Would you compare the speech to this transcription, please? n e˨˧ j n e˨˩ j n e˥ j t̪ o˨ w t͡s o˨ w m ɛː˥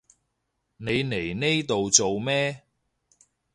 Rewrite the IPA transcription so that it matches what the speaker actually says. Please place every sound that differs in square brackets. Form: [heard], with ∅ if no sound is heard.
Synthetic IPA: n e˨˧ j n e˨˩ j n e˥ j t̪ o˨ w t͡s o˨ w m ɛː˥